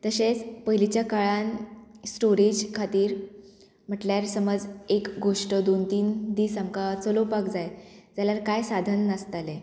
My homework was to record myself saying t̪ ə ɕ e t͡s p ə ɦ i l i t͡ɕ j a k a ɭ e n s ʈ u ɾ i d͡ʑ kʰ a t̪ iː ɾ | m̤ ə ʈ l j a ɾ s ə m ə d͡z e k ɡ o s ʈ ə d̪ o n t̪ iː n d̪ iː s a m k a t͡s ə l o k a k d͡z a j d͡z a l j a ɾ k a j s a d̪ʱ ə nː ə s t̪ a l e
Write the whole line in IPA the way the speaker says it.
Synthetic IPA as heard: t̪ ə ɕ e t͡s p ə ɦ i l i t͡ɕ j a k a ɭ a n s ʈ o ɾ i d͡ʑ kʰ a t̪ iː ɾ | m̤ ə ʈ l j a ɾ s ə m ə d͡z e k ɡ o ʂ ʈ ə d̪ o n t̪ iː n d̪ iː s a m k a t͡s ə l o p a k d͡z a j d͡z a l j a ɾ k a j s a d̪ʱ ə nː ə s t̪ a l e

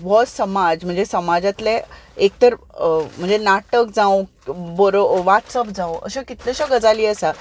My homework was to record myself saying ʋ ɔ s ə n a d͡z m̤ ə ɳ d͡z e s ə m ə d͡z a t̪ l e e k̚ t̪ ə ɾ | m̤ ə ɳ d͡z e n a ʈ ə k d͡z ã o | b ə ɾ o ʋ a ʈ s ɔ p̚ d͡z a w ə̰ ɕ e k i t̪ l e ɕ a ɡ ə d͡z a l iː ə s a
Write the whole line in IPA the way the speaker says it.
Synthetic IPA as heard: ʋ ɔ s ə m a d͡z m̤ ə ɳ d͡z e s ə m a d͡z a t̪ l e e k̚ t̪ ə ɾ | m̤ ə ɳ d͡z e n a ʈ ə k d͡z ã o | b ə ɾ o ʋ a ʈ s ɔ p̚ d͡z a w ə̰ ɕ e k i t̪ l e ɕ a ɡ ə d͡z a l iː ə s a

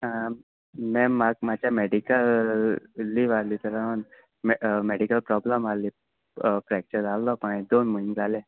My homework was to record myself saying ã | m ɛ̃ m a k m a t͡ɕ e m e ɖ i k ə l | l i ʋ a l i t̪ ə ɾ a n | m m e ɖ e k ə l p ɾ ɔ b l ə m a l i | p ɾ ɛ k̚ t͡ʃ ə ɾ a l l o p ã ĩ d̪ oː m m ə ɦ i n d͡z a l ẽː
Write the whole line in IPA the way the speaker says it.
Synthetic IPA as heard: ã | m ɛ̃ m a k m a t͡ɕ a m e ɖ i k ə l | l i ʋ a l i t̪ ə ɾ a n | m m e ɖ i k ə l p ɾ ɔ b l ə m a l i | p ɾ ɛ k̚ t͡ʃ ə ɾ a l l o p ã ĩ d̪ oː n m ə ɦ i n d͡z a l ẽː

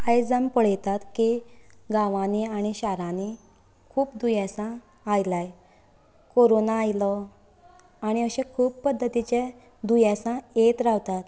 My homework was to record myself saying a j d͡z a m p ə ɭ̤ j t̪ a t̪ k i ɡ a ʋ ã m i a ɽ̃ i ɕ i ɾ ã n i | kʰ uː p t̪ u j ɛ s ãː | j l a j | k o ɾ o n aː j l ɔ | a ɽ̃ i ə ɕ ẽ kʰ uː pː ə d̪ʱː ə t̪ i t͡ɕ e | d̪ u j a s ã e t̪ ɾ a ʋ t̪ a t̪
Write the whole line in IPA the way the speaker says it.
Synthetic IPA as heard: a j d͡z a m p ə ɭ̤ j t̪ a t̪ k i ɡ a ʋ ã n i a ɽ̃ i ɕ a ɾ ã n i | kʰ uː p d̪ u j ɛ s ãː | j l a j | k o ɾ o n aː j l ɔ | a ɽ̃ i ə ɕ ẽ kʰ uː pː ə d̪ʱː ə t̪ i t͡ɕ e | d̪ u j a s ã e t̪ ɾ a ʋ t̪ a t̪

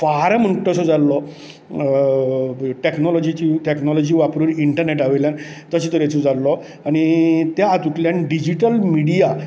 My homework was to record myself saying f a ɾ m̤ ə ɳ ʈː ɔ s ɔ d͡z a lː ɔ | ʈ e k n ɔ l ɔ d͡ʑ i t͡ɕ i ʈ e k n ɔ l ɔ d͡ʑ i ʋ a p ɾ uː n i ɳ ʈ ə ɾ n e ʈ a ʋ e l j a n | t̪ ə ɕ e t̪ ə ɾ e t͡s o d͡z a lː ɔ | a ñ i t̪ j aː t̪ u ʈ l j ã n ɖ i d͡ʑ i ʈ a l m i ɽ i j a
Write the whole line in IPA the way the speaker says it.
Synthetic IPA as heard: f a ɾ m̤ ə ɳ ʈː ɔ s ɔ d͡z a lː ɔ | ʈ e k n ɔ l ɔ d͡ʑ i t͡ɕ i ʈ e k n ɔ l ɔ d͡ʑ i ʋ a p ɾ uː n i ɳ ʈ ə ɾ n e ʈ a ʋ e l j a n | t̪ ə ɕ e t̪ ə ɾ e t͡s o d͡z a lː ɔ | a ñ i t̪ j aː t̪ u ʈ l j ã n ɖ i d͡ʑ i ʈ ə l m i ɽ i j a

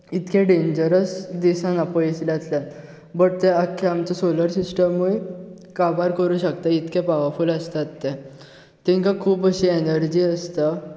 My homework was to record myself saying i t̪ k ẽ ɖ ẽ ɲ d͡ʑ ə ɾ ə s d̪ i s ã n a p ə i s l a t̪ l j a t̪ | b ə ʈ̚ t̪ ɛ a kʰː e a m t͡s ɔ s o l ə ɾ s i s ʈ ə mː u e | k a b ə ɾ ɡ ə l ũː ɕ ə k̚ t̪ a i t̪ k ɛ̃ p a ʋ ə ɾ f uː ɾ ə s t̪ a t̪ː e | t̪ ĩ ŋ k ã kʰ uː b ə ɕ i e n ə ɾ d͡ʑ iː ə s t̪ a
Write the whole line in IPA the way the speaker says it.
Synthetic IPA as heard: i t̪ k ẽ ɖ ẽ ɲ d͡ʑ ə ɾ ə s d̪ i s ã n a p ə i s l a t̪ l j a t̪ | b ə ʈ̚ t̪ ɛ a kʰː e a m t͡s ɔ s o l ə ɾ s i s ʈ ə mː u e | k a b a ɾ k ə ɾ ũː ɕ ə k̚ t̪ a i t̪ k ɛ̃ p a ʋ ə ɾ f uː l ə s t̪ a t̪ː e | t̪ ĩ ŋ k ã kʰ uː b ə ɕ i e n ə ɾ d͡ʑ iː ə s t̪ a

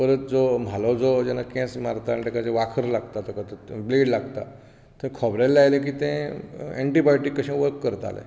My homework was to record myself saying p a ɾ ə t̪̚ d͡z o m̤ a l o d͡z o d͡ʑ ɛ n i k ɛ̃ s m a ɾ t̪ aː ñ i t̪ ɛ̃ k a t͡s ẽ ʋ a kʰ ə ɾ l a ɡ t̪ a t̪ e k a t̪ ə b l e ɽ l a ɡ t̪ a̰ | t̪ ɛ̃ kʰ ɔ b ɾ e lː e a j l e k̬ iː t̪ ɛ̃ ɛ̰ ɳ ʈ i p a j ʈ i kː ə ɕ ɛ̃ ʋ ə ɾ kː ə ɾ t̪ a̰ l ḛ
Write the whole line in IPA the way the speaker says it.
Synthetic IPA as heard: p ə ɾ ə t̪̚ d͡z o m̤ a l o d͡z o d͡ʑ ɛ n a k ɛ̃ s m a ɾ t̪ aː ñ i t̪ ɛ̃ k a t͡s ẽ ʋ a kʰ ə ɾ l a ɡ t̪ a t̪ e k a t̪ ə b l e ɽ l a ɡ t̪ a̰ | t̪ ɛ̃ kʰ ɔ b ɾ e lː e a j l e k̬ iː t̪ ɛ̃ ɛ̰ ɳ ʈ i b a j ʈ i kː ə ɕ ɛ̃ ʋ ə ɾ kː ə ɾ t̪ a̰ l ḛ

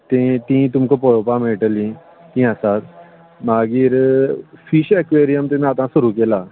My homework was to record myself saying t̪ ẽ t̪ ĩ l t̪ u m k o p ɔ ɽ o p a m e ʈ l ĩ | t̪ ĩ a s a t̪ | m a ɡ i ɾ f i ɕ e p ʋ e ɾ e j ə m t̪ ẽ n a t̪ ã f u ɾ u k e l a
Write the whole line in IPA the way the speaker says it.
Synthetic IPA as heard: t̪ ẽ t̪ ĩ t̪ u m k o p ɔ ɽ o p a m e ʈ l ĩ | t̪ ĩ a s a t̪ | m a ɡ i ɾ f i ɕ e k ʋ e ɾ i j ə m t̪ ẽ n a t̪ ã s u ɾ u k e l a

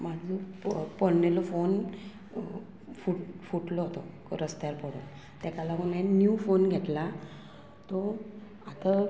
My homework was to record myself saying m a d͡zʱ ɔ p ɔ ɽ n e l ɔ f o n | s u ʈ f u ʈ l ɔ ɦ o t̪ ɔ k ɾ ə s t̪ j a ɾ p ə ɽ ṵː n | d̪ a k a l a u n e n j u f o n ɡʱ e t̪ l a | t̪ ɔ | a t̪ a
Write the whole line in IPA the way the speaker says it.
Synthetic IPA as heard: m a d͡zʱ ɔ p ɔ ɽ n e l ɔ f o n | f u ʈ f u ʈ l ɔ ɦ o t̪ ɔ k ɾ ə s t̪ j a ɾ p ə ɽ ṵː n | t̪ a k a l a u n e n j u f o n ɡʱ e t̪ l a | t̪ ɔ | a t̪ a

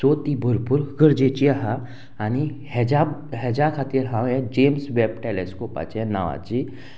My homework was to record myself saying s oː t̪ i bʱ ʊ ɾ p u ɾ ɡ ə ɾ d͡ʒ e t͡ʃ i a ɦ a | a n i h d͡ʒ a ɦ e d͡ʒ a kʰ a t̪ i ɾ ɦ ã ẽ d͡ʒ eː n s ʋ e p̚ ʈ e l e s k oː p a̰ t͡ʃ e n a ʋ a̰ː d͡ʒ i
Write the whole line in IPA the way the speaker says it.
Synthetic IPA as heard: s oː t̪ i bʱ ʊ ɾ p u ɾ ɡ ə ɾ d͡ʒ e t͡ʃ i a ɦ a | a n i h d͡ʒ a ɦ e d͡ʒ a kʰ a t̪ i ɾ ɦ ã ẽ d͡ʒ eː m s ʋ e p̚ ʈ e l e s k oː p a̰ t͡ʃ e n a ʋ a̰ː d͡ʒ i

